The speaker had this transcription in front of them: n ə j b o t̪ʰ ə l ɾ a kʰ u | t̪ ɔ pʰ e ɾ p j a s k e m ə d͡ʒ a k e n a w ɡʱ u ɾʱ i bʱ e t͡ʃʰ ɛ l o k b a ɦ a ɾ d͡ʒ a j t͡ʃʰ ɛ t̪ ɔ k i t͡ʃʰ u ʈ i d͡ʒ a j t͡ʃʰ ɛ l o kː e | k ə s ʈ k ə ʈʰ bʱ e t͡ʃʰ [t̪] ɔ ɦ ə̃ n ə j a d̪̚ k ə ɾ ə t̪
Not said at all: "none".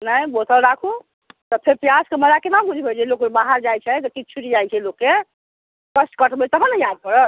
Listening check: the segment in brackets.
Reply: t̪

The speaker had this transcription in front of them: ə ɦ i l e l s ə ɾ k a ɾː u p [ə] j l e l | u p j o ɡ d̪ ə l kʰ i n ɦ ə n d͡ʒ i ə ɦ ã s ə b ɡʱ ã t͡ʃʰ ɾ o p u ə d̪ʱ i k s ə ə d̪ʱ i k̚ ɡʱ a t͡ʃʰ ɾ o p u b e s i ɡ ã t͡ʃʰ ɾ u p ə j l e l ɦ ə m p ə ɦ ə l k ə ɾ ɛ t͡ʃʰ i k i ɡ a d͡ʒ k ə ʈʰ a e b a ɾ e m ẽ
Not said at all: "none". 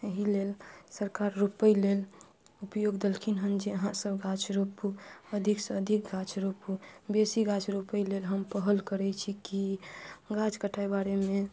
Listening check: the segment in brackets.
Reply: ə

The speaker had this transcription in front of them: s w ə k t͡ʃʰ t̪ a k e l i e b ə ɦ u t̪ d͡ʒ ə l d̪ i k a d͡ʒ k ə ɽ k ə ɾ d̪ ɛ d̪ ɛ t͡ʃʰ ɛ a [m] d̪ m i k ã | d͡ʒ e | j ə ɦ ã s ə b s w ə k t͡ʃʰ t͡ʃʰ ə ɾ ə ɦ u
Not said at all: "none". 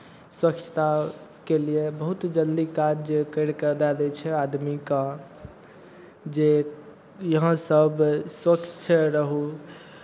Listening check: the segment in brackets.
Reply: none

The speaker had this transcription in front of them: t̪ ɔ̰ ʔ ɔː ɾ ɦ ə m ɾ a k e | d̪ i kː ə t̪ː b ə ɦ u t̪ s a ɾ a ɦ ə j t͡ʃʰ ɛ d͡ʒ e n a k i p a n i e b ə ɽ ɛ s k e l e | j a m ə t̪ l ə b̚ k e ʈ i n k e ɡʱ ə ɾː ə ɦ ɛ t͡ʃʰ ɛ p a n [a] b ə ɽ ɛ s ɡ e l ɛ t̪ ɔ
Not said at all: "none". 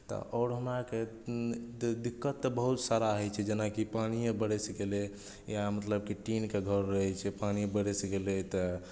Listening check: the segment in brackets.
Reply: i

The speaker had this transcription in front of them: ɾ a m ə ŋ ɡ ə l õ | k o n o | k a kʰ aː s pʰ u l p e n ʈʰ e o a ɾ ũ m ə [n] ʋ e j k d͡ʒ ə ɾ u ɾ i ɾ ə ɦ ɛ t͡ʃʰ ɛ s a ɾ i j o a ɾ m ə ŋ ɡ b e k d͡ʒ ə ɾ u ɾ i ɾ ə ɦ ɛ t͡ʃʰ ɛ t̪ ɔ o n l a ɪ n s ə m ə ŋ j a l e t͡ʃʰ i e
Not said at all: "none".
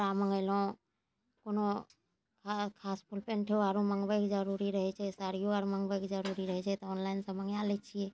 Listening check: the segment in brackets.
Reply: ŋ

